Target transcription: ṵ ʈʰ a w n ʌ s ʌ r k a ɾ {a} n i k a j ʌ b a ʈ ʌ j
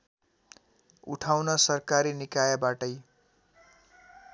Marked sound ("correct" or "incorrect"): incorrect